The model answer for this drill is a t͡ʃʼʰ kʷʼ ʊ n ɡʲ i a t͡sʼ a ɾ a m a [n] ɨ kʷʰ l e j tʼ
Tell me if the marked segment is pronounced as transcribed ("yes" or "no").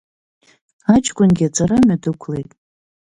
no